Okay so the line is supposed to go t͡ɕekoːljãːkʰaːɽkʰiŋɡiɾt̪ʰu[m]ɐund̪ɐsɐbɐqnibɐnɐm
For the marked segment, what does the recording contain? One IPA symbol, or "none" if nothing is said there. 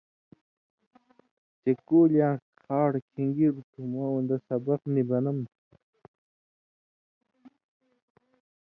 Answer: m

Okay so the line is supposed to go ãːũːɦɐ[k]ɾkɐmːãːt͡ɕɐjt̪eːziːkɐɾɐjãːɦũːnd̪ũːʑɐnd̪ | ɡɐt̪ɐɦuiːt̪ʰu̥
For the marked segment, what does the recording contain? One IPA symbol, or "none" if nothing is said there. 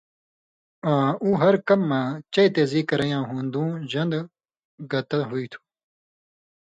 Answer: none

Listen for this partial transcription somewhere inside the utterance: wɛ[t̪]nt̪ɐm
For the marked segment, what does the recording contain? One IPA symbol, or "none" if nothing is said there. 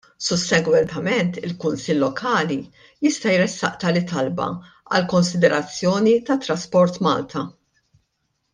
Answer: none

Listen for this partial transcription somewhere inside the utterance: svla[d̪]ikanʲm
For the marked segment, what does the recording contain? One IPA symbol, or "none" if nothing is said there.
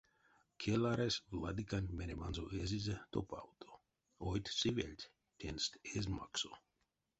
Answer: d̪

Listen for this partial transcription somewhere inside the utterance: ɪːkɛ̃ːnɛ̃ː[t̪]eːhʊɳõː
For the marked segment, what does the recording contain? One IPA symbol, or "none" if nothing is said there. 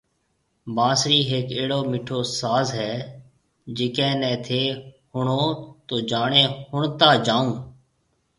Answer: t̪ʰ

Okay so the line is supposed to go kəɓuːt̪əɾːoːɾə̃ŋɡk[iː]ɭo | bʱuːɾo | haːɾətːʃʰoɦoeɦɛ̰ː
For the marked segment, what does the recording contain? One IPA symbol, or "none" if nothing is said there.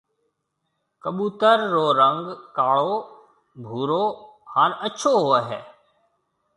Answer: aː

